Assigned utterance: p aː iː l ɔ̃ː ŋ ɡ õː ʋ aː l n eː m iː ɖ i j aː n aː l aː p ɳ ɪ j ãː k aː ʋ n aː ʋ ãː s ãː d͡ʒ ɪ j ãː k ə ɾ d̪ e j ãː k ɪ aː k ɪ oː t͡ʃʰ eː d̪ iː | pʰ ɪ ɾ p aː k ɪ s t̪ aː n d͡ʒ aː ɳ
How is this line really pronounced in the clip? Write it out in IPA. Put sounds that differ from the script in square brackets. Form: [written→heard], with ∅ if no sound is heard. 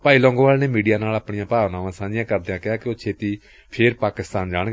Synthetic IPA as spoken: p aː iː l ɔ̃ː ŋ ɡ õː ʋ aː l n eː m iː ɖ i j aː n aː l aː p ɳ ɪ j ãː [k→p] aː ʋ n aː ʋ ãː s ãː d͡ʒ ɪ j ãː k ə ɾ d̪ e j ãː k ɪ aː k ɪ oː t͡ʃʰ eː [d̪→t̪] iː | pʰ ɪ ɾ p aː k ɪ s t̪ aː n d͡ʒ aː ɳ